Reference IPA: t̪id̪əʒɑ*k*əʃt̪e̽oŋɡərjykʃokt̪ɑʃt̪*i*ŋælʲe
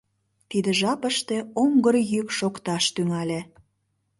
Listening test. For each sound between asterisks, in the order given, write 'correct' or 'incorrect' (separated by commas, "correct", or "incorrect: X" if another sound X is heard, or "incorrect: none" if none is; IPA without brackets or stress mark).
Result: incorrect: p, incorrect: y